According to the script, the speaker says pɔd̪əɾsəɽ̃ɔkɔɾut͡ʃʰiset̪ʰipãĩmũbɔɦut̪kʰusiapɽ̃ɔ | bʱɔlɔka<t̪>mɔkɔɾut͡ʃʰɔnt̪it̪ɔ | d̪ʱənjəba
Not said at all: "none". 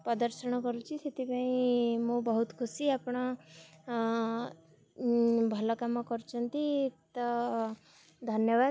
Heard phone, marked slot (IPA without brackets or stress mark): none